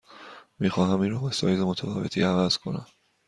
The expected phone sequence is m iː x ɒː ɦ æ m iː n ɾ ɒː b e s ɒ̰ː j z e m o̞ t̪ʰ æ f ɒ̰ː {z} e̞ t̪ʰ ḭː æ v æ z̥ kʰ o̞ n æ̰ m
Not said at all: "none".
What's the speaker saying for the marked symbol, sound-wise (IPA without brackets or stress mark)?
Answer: v